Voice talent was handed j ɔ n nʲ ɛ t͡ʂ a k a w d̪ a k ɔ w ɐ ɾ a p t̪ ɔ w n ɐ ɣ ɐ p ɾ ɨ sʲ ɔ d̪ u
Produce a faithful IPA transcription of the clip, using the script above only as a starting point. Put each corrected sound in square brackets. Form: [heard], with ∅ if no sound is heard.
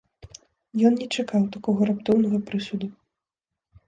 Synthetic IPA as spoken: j ɔ n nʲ ɛ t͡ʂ a k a w [t̪] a k ɔ [ɣ] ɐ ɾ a p t̪ ɔ w n ɐ ɣ ɐ p ɾ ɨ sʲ [u] d̪ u